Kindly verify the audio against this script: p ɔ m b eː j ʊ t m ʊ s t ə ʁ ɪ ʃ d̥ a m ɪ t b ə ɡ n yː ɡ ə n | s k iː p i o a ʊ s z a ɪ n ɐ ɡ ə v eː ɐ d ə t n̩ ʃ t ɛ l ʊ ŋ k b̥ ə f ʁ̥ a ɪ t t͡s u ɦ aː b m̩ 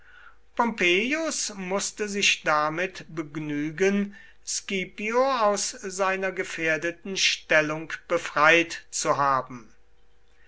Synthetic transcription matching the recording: p ɔ m p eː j ʊ s m ʊ s t ə z ɪ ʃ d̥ a m ɪ t b ə ɡ n yː ɡ ə n | s k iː p i o a ʊ s z a ɪ n ɐ ɡ ə f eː ɐ d ə t n̩ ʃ t ɛ l ʊ ŋ k b̥ ə f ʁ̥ a ɪ t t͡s u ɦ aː b m̩

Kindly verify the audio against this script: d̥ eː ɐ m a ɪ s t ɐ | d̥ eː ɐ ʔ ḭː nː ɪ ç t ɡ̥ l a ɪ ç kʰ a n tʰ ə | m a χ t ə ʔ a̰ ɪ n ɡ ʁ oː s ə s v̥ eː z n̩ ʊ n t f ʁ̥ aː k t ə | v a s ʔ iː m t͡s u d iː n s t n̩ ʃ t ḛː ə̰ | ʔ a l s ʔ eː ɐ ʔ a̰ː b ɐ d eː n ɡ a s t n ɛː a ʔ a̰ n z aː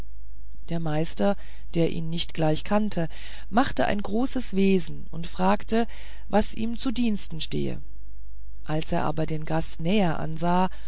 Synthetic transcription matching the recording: d̥ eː ɐ m a ɪ s t ɐ | d̥ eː ɐ ʔ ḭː nː ɪ ç t ɡ̥ l a ɪ ç kʰ a n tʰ ə | m a χ t ə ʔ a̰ ɪ n ɡ ʁ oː s ə s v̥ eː z n̩ ʊ n t f ʁ̥ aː k t ə | v a s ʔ iː m t͡s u d iː n s t n̩ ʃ t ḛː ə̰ | ʔ a l s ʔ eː ɐ ʔ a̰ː b ɐ d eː n ɡ a s t n ɛː ɐ ʔ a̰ n z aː

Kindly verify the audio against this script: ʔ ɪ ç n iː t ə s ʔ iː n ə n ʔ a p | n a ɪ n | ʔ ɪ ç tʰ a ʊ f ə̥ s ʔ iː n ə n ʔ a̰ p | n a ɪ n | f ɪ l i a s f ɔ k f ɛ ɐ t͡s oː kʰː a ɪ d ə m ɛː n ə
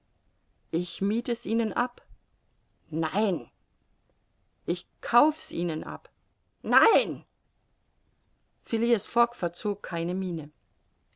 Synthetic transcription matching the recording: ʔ ɪ ç m iː t ə s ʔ iː n ə n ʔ a p | n a ɪ n | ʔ ɪ ç kʰ a ʊ f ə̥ s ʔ iː n ə n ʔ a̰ p | n a ɪ n | f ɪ l i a s f ɔ k f ɛ ɐ t͡s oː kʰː a ɪ n ə m iː n ə

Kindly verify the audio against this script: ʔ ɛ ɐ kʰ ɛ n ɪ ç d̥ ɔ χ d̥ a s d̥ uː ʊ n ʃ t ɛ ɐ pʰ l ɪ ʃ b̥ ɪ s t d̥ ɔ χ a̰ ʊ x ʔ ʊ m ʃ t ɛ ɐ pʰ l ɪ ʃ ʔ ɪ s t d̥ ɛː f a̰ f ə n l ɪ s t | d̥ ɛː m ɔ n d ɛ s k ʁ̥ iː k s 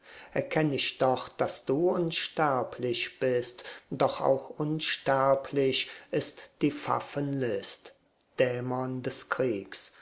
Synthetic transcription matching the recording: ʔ ɛ ɐ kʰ ɛ n ɪ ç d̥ ɔ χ d̥ a s d̥ uː ʊ n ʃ t ɛ ɐ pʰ l ɪ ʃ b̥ ɪ s t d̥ ɔ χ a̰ ʊ x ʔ ʊ n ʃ t ɛ ɐ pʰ l ɪ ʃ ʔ ɪ s t d̥ iː f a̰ f ə n l ɪ s t | d̥ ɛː m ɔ n d ɛ s k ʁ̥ iː k s

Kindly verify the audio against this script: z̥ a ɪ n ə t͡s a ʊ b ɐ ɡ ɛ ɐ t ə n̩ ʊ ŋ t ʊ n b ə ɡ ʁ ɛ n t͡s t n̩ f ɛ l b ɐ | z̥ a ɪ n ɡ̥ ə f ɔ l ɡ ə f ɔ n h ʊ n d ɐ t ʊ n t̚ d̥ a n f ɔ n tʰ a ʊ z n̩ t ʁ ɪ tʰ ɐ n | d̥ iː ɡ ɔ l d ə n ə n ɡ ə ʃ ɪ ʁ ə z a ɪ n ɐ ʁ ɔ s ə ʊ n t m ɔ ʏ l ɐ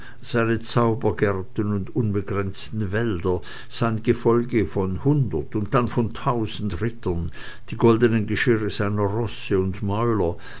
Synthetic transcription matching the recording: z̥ a ɪ n ə t͡s a ʊ b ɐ ɡ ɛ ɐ t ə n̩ ʊ n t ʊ n b ə ɡ ʁ ɛ n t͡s t n̩ v ɛ l d ɐ | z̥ a ɪ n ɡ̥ ə f ɔ l ɡ ə f ɔ n h ʊ n d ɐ t ʊ n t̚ d̥ a n f ɔ n tʰ a ʊ z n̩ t ʁ ɪ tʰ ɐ n | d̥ iː ɡ ɔ l d ə n ə n ɡ ə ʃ ɪ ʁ ə z a ɪ n ɐ ʁ ɔ s ə ʊ n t m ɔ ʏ l ɐ

